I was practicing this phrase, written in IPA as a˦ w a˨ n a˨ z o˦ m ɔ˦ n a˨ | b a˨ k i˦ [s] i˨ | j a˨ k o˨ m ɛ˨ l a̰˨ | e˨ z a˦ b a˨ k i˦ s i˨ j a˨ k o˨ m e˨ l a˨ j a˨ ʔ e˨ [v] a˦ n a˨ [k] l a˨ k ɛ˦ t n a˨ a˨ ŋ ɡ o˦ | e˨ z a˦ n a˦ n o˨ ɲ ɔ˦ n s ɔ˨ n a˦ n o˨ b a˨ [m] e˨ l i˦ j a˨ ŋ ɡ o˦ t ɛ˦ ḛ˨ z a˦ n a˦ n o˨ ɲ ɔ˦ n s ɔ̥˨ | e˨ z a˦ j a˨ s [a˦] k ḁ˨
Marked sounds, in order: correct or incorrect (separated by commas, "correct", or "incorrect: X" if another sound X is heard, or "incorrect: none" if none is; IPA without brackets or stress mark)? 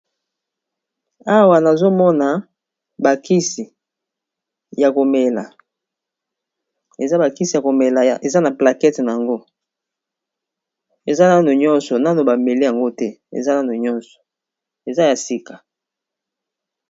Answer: correct, incorrect: z, incorrect: p, correct, incorrect: i˦